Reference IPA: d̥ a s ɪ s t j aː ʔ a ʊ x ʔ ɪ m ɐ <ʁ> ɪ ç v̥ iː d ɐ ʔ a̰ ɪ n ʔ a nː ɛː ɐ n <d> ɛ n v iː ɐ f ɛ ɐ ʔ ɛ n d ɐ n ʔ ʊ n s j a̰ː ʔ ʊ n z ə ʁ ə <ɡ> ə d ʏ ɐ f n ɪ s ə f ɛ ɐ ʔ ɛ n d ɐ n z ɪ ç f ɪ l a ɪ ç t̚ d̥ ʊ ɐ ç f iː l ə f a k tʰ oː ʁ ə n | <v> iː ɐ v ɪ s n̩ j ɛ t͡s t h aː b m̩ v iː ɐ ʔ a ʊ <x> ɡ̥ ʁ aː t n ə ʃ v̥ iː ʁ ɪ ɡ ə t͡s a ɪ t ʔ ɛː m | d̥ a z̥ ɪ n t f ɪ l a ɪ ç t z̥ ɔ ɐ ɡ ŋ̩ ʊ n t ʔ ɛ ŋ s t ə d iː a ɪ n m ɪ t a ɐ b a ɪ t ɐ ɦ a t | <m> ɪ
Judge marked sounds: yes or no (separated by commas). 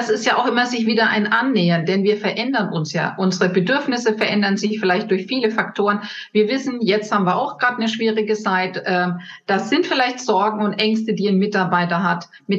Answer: no, yes, no, yes, yes, yes